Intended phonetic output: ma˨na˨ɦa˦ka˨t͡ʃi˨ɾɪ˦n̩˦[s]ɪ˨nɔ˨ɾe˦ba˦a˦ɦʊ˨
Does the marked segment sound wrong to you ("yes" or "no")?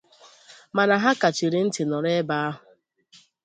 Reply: yes